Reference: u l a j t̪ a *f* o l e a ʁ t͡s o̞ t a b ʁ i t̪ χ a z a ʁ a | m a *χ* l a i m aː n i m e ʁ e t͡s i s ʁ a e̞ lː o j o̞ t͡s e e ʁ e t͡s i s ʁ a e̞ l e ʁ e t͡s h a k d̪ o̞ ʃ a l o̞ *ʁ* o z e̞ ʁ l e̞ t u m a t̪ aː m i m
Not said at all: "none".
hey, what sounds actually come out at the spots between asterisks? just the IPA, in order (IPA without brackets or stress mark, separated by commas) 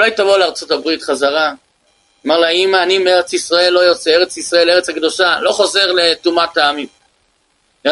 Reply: v, ʁ, χ